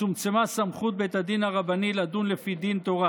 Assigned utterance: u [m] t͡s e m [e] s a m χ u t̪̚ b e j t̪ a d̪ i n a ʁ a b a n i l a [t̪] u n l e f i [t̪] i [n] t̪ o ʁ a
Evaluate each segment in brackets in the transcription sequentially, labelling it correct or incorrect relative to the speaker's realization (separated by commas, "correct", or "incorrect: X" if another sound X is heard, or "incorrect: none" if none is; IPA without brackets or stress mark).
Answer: correct, incorrect: a, incorrect: d̪, incorrect: d̪, correct